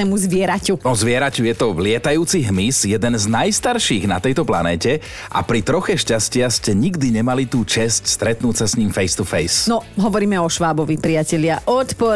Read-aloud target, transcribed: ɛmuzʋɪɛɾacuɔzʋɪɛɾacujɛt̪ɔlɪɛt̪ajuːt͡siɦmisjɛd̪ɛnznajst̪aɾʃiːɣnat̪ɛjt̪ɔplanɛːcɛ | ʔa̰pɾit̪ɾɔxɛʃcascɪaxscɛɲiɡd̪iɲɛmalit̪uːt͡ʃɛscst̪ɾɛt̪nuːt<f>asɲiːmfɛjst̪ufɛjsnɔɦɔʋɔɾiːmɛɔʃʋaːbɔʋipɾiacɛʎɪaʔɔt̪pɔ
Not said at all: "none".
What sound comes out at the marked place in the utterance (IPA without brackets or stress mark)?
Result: s